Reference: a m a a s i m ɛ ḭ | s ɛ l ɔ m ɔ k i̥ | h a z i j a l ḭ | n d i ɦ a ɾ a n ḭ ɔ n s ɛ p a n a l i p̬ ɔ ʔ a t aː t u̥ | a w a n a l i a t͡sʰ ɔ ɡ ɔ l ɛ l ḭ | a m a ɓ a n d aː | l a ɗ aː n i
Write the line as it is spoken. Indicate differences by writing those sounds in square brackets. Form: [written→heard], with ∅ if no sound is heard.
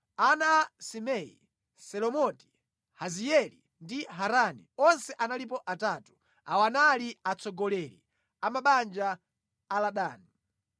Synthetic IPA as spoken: a [m→n] a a s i m ɛ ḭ | s ɛ l ɔ m ɔ [k→t] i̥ | h a z i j [a→ɛ] l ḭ | n d i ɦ a ɾ a n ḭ ɔ n s ɛ [p→ʔ] a n a l i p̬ ɔ ʔ a t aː t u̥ | a w a n a l i a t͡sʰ ɔ ɡ ɔ l ɛ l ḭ | a m a ɓ a n [d→d͡ʒ] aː | l a ɗ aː n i